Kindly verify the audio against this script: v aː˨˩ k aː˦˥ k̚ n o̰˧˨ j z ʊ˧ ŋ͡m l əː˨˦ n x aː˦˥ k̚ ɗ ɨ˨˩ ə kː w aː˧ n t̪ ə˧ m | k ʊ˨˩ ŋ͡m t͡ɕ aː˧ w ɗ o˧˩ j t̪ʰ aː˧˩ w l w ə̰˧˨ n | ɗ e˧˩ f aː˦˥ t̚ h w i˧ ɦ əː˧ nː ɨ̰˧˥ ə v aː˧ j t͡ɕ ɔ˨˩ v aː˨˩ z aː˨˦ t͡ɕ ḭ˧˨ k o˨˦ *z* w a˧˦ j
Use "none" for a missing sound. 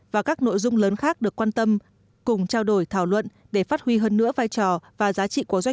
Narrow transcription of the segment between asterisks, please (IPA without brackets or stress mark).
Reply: z